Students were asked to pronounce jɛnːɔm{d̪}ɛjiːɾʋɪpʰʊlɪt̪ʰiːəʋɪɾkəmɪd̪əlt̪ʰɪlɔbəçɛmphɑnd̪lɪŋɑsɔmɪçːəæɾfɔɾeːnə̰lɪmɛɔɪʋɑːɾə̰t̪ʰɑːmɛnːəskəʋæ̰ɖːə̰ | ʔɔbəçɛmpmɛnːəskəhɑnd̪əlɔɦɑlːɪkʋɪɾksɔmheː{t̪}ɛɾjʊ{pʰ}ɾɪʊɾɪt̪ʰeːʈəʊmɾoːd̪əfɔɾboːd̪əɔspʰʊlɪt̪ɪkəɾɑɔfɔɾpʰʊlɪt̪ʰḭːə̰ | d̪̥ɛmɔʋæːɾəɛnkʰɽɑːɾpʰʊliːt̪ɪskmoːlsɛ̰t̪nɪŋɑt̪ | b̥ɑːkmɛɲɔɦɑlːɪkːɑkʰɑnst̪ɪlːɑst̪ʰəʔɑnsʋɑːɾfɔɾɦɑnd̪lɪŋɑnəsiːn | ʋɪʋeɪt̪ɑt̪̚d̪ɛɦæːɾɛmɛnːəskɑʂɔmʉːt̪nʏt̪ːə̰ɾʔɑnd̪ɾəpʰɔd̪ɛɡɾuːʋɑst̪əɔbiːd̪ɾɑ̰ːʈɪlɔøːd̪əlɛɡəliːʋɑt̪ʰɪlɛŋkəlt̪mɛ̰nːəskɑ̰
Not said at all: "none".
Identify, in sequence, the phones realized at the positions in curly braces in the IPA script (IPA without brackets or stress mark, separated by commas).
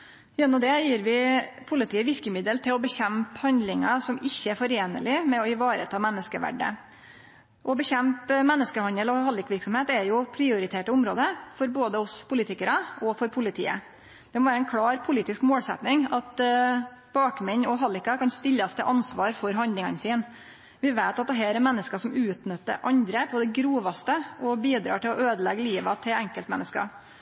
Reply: d̪, t̪, pʰ